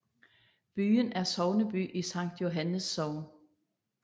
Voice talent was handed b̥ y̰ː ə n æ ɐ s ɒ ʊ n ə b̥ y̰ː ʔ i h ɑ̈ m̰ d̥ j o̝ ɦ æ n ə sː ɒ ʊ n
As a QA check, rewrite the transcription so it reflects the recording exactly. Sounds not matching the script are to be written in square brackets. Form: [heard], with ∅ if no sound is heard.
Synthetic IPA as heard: b̥ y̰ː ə n æ ɐ s ɒ ʊ n ə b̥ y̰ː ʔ i [s] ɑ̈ [ŋ̰] d̥ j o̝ ɦ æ n ə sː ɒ ʊ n

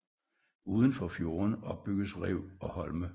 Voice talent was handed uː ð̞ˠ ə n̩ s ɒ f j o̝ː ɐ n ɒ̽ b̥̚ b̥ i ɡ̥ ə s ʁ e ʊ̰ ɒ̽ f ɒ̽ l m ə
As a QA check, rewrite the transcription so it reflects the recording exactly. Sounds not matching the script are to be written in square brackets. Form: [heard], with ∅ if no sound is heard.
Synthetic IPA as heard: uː ð̞ˠ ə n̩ [f] ɒ f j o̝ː ɐ n ɒ̽ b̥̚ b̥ [y] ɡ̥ ə s ʁ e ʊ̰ ɒ̽ [h] ɒ̽ l m ə

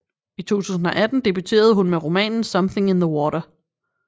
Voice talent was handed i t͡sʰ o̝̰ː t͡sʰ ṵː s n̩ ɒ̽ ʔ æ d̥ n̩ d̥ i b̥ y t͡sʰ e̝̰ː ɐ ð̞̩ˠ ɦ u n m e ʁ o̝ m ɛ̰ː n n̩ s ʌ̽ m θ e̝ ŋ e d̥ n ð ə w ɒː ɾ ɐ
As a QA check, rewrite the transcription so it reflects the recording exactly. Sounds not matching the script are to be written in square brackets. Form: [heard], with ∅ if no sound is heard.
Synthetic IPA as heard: i t͡sʰ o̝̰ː t͡sʰ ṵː s n̩ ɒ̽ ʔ æ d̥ n̩ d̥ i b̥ y t͡sʰ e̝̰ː ɐ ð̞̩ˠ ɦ u n m e ʁ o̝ m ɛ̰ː n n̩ s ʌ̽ m θ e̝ ŋ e [∅] n ð ə w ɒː ɾ ɐ

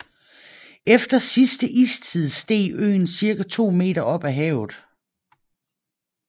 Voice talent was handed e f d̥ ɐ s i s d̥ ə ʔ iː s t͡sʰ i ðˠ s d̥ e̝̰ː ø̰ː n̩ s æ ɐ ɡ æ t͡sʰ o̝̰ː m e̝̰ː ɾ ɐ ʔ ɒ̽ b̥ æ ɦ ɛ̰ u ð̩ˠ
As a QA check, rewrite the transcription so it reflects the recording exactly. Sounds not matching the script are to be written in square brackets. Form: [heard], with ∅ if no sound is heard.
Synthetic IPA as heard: e f d̥ ɐ s i s d̥ ə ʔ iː s t͡sʰ i ðˠ s d̥ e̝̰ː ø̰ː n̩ s [i] ɐ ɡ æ t͡sʰ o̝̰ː m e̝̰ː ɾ ɐ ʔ ɒ̽ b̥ æ ɦ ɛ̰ [ʊ] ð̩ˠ

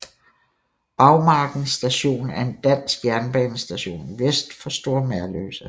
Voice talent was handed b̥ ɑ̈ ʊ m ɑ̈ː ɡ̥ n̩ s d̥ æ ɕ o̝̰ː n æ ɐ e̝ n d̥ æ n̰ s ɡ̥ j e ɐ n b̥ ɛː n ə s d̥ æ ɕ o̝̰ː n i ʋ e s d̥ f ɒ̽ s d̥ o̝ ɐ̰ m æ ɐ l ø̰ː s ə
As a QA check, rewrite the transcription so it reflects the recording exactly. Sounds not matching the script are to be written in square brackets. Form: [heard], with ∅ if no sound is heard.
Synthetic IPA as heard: b̥ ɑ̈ ʊ m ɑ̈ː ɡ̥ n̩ s d̥ æ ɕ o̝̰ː n æ ɐ e̝ n d̥ æ n̰ s ɡ̥ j [æ] ɐ n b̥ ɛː n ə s d̥ æ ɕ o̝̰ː n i ʋ e s d̥ f ɒ̽ s d̥ o̝ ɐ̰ m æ ɐ l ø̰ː s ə

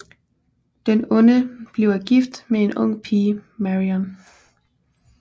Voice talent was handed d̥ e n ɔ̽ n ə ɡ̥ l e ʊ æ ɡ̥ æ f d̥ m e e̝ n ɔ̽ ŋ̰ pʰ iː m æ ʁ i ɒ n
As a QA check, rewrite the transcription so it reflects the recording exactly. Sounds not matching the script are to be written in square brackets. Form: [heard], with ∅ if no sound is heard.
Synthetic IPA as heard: d̥ e n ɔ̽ n ə [b̥] l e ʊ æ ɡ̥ [i] f d̥ m e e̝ n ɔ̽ ŋ̰ pʰ iː m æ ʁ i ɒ n

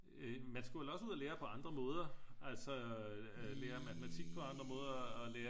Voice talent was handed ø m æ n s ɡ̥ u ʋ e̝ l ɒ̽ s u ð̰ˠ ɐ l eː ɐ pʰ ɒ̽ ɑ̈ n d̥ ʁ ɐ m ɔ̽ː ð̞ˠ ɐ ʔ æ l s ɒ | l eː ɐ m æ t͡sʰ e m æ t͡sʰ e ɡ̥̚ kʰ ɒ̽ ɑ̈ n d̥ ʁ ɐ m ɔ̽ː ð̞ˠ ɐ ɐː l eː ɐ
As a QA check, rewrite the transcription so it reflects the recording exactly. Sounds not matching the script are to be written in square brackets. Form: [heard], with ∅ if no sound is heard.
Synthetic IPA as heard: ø m æ n s ɡ̥ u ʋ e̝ l ɒ̽ s u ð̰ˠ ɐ l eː ɐ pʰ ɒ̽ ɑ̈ n d̥ ʁ ɐ m ɔ̽ː ð̞ˠ ɐ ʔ æ l s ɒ | l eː ɐ m æ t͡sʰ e m æ t͡sʰ [i] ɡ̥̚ [pʰ] ɒ̽ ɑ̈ n d̥ ʁ ɐ m ɔ̽ː ð̞ˠ ɐ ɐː l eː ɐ

